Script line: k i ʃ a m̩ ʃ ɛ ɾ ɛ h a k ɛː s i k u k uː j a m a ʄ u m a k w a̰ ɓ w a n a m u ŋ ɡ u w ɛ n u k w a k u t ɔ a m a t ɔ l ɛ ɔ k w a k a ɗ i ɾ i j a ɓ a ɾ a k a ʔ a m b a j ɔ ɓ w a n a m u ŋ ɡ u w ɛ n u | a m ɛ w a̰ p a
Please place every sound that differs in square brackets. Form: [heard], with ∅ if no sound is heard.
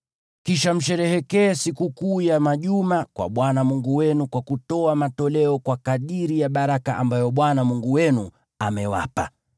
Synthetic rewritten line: k i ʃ a m̩ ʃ ɛ ɾ ɛ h [ɛ] k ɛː s i k u k uː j a m a ʄ u m a k w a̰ ɓ w a n a m u ŋ ɡ u w ɛ n u k w a k u t ɔ a m a t ɔ l ɛ ɔ k w a k a ɗ i ɾ i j a ɓ a ɾ a k a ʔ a m b a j ɔ ɓ w a n a m u ŋ ɡ u w ɛ n u | a m ɛ w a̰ p a